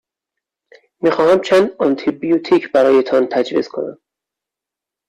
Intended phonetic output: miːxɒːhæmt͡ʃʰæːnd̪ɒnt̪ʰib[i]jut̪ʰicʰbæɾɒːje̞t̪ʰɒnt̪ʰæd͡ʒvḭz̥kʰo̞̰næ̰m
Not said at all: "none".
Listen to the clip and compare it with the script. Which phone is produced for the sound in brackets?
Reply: i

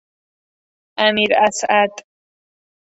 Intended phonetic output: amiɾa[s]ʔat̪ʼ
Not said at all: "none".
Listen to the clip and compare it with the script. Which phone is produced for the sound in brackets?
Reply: s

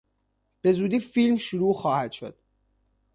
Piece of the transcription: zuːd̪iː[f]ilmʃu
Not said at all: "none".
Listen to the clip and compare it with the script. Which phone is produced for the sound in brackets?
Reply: f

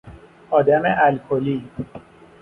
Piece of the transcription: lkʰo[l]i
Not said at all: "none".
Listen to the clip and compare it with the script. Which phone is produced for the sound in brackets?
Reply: l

